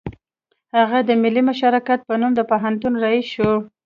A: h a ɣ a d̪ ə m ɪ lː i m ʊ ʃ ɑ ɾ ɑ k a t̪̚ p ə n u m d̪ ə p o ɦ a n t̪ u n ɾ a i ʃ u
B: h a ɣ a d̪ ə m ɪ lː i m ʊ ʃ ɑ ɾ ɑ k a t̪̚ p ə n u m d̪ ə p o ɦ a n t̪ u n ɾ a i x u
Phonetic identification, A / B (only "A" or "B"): A